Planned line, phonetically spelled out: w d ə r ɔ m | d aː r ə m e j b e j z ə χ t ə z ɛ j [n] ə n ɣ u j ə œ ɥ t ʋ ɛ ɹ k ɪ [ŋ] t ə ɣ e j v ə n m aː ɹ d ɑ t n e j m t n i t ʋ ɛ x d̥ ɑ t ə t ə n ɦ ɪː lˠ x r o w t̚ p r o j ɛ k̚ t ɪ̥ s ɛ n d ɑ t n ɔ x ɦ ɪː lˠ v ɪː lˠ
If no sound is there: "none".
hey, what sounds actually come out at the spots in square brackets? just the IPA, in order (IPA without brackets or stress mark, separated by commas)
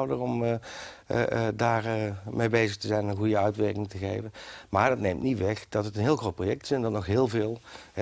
n, ŋ